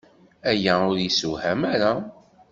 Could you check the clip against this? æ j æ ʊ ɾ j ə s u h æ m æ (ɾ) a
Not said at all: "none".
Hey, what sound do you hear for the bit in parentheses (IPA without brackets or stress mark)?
ɾ